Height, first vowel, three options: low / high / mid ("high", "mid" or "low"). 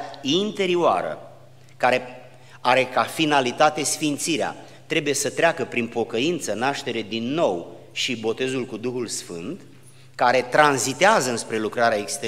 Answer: high